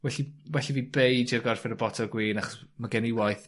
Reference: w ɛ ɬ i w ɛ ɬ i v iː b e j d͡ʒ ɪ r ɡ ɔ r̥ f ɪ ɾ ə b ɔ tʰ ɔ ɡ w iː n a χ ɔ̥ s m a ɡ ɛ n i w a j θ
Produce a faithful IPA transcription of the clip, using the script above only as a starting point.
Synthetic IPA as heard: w ɛ ɬ i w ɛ ɬ i v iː b e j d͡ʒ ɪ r ɡ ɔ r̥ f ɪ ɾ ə b ɔ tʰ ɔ ɡ w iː n a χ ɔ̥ s m a ɡ ɛ n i w a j θ